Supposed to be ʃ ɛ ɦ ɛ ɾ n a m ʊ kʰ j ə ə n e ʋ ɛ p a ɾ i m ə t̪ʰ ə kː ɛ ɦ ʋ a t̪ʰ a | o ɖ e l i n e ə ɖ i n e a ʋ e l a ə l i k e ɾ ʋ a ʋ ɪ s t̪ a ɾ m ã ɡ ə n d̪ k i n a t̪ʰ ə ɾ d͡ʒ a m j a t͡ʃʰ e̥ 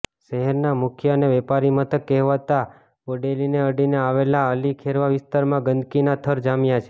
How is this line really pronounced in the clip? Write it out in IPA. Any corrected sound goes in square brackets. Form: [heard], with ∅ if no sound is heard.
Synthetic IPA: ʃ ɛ ɦ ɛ ɾ n a m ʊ kʰ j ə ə n e ʋ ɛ p a ɾ i m ə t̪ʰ ə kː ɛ ɦ ʋ a [t̪] a | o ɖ e l i n e ə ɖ i n e a ʋ e l a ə l i [kʰ] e ɾ ʋ a ʋ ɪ s t̪ a ɾ m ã ɡ ə n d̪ k i n a t̪ʰ ə ɾ d͡ʒ a m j a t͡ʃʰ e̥